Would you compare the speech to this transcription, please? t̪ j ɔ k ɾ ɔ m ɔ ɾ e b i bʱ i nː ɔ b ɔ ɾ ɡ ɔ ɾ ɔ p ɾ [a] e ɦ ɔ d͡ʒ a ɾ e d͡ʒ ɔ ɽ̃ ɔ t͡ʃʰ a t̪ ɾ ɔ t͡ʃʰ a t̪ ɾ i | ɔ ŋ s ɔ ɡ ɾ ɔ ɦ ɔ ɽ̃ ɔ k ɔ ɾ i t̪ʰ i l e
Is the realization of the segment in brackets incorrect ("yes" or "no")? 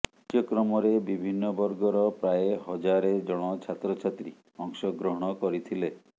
no